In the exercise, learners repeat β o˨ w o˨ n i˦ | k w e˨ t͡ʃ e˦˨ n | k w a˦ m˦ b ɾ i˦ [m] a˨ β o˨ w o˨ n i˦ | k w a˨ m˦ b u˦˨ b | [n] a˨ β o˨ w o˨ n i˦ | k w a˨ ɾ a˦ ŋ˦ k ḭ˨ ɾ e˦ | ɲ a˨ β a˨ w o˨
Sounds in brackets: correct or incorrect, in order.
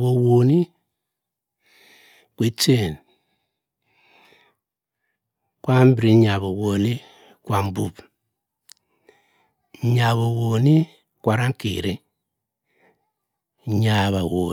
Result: incorrect: ɲ, incorrect: ɲ

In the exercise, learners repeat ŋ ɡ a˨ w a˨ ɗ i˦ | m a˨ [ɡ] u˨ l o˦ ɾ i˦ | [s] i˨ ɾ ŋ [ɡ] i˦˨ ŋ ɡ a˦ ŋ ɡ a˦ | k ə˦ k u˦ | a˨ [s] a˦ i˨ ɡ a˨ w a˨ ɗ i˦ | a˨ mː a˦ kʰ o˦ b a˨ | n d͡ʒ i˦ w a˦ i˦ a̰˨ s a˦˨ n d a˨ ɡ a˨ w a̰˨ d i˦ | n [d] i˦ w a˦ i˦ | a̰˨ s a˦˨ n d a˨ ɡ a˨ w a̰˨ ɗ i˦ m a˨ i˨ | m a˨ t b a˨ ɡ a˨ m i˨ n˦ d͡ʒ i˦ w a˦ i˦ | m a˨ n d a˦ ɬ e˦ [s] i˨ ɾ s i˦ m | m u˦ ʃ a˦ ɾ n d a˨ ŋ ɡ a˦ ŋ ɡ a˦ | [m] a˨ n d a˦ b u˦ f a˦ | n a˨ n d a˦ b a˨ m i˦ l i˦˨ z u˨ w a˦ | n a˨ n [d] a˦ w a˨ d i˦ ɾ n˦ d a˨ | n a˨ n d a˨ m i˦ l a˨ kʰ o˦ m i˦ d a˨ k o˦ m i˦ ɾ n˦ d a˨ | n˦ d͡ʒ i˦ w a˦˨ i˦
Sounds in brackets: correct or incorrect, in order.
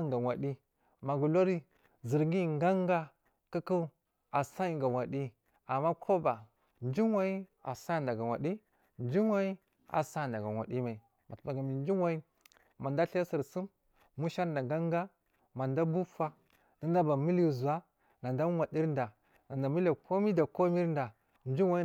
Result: correct, incorrect: z, correct, correct, incorrect: d͡ʒ, correct, correct, correct

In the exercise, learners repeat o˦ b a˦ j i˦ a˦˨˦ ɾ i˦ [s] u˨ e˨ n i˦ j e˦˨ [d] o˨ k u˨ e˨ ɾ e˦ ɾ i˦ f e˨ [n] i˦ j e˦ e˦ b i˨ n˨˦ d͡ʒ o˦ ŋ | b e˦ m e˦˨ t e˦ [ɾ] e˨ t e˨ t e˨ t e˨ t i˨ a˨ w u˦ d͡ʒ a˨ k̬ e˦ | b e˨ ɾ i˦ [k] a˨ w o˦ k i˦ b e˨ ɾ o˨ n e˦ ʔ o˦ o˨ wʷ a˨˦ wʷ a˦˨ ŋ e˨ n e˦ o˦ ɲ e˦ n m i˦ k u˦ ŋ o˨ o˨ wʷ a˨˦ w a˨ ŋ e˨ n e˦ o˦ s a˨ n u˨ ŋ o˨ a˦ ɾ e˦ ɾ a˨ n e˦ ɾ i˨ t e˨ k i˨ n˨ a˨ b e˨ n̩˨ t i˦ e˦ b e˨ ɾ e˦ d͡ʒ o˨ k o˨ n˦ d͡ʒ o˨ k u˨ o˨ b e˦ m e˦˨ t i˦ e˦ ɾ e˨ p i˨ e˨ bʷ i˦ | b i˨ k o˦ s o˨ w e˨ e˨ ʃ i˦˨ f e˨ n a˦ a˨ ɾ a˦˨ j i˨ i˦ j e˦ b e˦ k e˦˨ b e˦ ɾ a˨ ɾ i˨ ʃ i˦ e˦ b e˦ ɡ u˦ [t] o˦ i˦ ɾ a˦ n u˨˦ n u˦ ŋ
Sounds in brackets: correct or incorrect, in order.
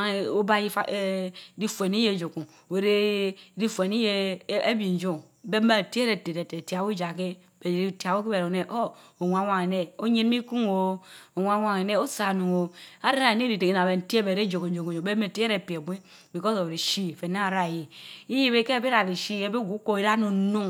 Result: incorrect: f, incorrect: d͡ʒ, correct, correct, incorrect: t, incorrect: k

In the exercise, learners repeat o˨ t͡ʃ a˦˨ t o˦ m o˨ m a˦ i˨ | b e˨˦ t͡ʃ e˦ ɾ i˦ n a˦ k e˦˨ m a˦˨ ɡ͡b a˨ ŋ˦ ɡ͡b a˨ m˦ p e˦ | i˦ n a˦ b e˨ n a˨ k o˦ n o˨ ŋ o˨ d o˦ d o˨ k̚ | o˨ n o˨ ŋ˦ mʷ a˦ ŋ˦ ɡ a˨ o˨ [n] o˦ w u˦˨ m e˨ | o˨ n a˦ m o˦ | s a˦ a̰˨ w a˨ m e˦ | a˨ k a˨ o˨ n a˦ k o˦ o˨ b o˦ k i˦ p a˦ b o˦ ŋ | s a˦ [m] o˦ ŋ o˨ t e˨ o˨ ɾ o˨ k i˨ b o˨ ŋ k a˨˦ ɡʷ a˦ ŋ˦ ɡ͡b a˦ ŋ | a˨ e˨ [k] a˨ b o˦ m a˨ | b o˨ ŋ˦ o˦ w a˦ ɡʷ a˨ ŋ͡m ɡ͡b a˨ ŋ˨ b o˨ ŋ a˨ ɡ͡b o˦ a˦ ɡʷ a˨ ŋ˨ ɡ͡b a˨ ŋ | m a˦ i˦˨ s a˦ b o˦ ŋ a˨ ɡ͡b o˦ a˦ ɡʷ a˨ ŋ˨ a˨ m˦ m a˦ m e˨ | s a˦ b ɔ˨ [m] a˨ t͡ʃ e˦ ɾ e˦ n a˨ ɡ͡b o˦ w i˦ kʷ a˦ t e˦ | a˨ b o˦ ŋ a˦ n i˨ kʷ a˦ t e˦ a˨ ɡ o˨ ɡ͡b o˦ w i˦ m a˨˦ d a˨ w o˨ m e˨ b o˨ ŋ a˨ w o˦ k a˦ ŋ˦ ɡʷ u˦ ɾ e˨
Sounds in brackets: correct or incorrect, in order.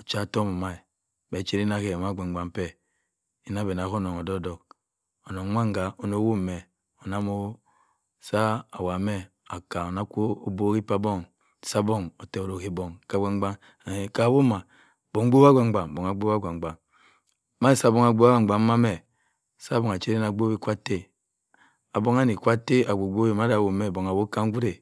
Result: correct, incorrect: b, correct, incorrect: ŋ

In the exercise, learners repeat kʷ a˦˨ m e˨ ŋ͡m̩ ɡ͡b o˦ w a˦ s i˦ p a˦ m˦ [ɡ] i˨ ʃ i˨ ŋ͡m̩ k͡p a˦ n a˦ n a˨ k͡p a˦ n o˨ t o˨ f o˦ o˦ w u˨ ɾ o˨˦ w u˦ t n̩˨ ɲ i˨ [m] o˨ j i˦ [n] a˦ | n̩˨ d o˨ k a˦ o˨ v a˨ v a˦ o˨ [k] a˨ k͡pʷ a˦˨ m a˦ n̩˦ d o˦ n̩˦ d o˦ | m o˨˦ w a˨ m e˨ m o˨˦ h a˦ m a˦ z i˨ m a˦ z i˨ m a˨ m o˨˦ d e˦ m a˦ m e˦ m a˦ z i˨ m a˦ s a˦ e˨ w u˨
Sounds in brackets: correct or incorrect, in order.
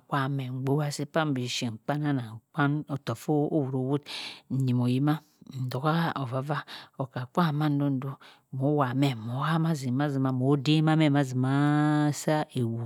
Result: incorrect: b, correct, incorrect: m, correct

